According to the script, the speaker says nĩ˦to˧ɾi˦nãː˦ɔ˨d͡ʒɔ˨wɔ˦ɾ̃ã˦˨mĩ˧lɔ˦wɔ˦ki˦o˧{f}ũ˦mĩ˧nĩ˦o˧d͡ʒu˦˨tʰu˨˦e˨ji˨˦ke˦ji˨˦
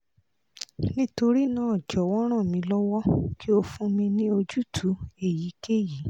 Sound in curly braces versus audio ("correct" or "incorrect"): correct